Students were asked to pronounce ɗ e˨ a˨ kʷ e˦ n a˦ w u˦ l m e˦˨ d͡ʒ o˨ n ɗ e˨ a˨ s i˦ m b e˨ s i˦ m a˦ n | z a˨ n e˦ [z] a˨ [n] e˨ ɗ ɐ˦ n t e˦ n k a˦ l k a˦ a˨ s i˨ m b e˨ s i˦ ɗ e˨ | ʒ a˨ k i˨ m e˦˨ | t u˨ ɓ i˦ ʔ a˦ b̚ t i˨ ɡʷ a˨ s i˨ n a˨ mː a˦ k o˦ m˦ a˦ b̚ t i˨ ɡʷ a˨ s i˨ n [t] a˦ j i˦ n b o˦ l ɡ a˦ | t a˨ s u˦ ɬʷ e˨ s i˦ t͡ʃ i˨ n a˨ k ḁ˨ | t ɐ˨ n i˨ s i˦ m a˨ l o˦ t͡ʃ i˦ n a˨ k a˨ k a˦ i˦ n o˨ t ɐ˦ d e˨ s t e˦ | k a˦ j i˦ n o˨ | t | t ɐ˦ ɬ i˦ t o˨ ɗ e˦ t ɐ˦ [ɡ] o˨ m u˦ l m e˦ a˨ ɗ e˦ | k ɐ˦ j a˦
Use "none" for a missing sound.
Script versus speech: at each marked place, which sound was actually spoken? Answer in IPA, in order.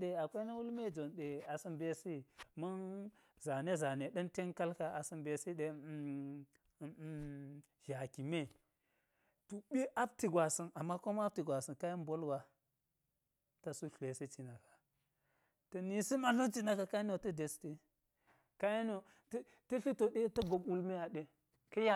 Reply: z, n, k, ɡ

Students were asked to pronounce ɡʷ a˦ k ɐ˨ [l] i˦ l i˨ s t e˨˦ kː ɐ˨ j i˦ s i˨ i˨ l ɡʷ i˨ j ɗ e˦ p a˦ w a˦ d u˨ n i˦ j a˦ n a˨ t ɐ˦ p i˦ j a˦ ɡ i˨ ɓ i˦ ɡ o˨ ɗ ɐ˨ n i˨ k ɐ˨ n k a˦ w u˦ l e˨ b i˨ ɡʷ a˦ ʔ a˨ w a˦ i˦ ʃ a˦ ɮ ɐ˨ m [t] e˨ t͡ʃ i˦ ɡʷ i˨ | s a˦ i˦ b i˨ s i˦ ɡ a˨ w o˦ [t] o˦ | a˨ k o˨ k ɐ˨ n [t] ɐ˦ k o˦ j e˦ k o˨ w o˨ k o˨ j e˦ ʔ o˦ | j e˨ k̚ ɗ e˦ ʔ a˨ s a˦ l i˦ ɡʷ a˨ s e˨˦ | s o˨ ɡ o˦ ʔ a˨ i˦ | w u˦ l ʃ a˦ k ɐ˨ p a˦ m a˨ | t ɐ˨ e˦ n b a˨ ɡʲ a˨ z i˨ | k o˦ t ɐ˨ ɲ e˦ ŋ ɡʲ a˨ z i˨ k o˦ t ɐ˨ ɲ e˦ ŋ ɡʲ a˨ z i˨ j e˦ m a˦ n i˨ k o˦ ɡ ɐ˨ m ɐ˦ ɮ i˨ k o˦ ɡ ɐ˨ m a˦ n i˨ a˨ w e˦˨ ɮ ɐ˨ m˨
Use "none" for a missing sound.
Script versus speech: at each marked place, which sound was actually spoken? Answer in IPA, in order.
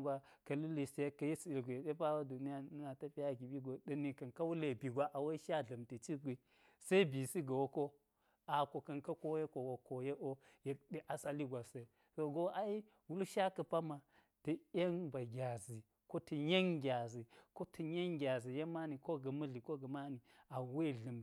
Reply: l, t, k, k

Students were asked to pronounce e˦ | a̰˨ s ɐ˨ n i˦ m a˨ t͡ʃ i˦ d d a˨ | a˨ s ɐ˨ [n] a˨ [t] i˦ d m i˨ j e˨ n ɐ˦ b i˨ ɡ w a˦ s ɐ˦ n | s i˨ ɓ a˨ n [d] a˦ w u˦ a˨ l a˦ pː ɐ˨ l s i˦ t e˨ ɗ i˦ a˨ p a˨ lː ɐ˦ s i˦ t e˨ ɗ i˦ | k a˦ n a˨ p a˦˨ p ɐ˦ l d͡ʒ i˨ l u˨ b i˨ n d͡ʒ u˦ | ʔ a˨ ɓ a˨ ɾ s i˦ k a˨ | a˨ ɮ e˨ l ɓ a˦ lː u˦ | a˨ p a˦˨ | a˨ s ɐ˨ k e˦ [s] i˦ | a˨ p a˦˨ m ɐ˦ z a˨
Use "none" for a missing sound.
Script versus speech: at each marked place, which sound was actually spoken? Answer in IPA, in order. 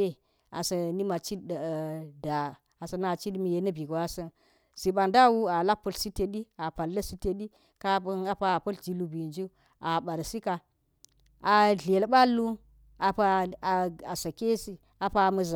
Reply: n, t͡ʃ, d, s

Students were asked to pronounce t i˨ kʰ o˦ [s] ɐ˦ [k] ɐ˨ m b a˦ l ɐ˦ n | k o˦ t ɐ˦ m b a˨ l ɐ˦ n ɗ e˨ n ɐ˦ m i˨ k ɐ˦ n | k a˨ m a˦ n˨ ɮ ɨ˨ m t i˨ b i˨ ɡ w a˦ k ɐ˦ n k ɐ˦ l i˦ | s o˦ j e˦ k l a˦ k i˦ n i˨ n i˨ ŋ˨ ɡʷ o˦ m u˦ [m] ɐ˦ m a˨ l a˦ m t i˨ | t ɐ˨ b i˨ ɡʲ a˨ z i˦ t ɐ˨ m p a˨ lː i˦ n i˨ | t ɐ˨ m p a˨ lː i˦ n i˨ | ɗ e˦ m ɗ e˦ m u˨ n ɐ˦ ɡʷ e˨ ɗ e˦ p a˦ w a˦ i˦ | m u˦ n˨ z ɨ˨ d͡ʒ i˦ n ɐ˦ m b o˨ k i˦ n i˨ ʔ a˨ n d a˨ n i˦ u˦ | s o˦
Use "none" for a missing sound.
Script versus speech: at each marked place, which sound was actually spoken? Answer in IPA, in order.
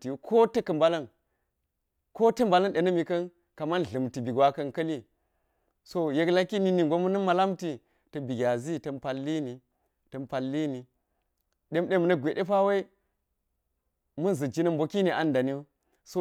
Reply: t, k, n

